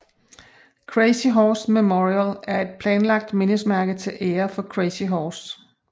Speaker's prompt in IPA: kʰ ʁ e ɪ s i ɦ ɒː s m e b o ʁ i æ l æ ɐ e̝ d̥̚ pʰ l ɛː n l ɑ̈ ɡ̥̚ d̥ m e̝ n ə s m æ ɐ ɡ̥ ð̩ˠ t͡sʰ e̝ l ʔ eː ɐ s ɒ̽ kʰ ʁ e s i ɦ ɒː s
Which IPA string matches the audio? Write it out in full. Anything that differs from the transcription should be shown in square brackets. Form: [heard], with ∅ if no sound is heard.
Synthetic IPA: kʰ ʁ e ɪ s i ɦ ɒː s m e [m] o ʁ i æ l æ ɐ e̝ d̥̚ pʰ l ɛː n l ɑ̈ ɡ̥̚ d̥ m e̝ n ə s m æ ɐ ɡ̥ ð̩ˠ t͡sʰ e̝ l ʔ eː ɐ [f] ɒ̽ kʰ ʁ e s i ɦ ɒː s